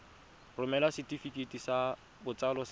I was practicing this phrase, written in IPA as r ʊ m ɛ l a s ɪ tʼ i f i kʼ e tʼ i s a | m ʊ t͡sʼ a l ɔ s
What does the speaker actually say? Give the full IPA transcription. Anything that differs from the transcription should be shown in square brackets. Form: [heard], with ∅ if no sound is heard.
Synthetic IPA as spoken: r ʊ m ɛ l a s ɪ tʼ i f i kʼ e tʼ i s a | [b] ʊ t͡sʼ a l ɔ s